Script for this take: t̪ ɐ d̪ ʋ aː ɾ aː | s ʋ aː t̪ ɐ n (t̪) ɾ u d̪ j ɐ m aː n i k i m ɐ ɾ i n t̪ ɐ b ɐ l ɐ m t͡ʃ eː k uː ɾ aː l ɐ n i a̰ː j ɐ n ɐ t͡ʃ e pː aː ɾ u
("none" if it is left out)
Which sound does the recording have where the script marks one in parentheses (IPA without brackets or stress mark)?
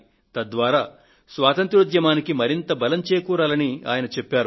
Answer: t̪